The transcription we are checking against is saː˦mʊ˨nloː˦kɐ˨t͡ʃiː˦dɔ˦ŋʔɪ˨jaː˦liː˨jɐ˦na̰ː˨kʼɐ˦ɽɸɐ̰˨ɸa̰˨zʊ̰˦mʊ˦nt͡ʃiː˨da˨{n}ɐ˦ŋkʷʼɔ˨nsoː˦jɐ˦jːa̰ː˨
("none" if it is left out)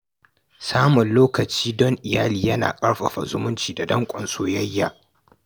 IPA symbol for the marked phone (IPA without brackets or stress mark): d